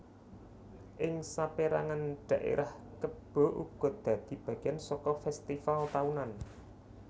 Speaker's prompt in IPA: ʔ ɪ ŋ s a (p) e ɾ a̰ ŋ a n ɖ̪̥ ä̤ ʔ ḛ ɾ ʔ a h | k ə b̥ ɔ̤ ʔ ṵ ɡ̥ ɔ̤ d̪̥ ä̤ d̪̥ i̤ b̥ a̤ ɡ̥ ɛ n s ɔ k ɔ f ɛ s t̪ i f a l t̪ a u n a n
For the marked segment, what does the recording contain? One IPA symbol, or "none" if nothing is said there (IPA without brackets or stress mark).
p